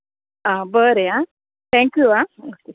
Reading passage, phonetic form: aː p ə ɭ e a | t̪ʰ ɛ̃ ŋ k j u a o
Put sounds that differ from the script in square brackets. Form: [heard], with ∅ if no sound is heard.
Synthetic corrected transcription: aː [b] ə [ɾ] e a | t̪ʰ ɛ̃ ŋ k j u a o